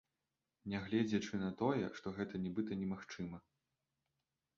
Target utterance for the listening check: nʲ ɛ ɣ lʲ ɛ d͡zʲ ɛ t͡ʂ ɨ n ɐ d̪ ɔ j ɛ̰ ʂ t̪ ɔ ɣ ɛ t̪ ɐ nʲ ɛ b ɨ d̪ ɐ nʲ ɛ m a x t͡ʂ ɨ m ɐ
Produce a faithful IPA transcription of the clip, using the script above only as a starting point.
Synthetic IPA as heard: nʲ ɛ ɣ lʲ ɛ d͡zʲ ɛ t͡ʂ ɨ n ɐ t̪ ɔ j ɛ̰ ʂ t̪ ɔ ɣ ɛ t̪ ɐ nʲ ɛ b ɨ t̪ ɐ nʲ ɛ m a x t͡ʂ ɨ m ɐ